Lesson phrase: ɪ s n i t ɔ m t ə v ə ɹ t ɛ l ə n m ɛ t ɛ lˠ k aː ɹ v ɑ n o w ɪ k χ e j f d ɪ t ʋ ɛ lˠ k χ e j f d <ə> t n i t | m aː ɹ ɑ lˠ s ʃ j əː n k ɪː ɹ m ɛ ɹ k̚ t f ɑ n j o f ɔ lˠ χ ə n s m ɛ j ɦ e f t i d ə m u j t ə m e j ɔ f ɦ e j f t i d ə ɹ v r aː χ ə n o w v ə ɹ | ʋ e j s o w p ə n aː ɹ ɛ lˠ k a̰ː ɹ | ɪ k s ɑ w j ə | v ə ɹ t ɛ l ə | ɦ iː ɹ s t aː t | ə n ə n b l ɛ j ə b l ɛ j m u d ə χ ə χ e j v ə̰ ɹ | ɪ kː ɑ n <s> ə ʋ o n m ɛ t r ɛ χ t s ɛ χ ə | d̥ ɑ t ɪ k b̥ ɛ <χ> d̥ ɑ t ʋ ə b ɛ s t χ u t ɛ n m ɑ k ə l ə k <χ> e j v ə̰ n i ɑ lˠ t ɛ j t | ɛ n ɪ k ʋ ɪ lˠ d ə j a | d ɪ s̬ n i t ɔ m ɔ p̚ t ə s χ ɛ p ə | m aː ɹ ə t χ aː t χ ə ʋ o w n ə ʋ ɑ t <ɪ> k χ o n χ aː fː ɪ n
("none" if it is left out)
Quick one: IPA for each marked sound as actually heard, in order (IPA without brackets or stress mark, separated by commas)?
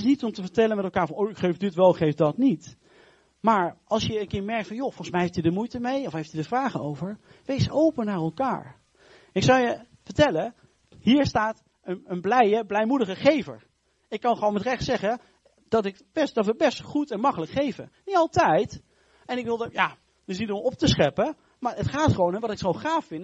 ɑ, χ, s, χ, ɪ